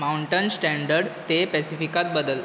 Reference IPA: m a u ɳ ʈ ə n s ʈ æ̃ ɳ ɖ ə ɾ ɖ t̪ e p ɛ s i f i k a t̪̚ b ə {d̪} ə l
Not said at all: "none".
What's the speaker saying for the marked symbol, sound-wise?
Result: d̪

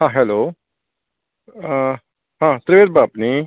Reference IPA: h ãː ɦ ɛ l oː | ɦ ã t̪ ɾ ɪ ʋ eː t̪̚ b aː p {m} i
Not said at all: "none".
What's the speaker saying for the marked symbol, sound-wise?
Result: n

